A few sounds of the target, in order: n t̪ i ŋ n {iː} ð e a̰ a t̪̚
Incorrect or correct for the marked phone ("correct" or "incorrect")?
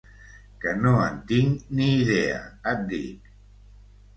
correct